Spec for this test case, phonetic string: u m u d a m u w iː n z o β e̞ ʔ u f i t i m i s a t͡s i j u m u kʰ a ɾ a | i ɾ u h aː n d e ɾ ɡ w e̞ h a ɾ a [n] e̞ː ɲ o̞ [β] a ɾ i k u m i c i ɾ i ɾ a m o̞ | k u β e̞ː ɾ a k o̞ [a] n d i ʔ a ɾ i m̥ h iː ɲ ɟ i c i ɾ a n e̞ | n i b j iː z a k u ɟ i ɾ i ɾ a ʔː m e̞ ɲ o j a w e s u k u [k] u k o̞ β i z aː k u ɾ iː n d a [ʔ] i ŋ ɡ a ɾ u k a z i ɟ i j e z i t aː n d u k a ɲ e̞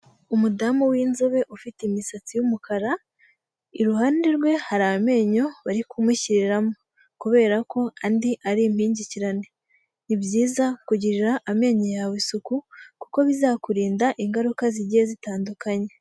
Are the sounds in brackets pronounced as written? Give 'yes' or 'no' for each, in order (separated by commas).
no, yes, yes, yes, yes